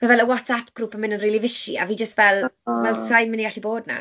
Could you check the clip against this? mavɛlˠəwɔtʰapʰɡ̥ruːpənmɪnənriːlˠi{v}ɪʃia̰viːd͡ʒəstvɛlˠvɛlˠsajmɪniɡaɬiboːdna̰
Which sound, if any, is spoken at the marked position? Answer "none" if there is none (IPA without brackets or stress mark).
v